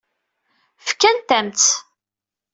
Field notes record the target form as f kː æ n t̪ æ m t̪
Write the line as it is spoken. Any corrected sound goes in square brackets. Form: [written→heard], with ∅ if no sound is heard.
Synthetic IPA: f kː æ n t̪ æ m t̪